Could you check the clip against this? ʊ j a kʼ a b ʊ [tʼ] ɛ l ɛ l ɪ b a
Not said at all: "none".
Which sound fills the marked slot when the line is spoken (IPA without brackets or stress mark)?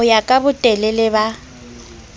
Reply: tʼ